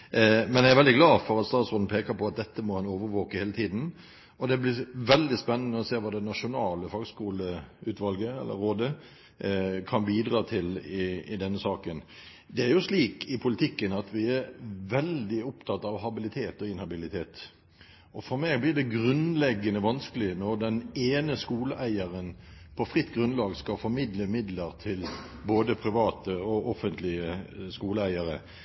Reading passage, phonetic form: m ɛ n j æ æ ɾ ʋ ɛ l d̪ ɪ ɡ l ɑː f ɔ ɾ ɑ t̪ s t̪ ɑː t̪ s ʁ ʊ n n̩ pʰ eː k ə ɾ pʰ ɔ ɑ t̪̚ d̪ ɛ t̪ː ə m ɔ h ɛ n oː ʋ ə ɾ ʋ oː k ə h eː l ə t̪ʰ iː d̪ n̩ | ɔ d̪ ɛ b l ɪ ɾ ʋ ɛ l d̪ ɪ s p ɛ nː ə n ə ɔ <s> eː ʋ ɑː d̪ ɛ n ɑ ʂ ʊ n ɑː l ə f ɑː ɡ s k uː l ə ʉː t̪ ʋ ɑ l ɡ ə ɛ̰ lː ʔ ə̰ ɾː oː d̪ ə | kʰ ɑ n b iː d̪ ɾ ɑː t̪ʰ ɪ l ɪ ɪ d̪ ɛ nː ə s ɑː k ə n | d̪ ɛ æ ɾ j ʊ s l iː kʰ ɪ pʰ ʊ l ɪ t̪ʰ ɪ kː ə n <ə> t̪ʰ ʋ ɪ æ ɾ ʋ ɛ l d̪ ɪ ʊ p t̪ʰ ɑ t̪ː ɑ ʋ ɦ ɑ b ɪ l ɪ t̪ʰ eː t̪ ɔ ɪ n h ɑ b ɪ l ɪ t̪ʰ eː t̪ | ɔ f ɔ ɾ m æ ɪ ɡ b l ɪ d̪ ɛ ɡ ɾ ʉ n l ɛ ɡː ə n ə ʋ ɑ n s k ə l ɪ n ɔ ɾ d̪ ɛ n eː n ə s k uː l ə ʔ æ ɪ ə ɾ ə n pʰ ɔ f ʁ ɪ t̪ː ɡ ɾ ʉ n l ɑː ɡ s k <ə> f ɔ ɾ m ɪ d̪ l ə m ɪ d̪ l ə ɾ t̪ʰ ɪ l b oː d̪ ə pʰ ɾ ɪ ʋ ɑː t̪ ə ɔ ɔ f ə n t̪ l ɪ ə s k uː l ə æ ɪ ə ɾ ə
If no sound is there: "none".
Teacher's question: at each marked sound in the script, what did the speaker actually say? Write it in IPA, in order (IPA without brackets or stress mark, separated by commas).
s, ɑ, ɑ